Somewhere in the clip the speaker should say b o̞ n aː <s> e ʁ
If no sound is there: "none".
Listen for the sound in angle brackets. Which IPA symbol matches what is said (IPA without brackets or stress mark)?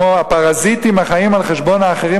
χ